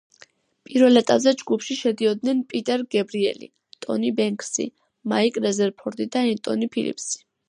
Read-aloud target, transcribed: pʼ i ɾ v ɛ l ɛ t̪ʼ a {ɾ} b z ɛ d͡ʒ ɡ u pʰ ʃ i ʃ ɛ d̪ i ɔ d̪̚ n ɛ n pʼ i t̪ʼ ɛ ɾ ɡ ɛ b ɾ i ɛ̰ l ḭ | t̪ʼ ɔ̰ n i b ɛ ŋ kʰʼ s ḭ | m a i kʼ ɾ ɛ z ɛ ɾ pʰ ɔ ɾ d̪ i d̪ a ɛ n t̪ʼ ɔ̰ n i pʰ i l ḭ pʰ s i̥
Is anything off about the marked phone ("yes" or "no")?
yes